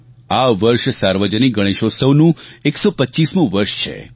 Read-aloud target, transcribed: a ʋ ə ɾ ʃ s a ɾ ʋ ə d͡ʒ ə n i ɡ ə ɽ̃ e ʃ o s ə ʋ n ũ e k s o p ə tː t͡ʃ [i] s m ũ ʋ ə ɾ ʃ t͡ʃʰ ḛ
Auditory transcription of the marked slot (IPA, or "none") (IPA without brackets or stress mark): i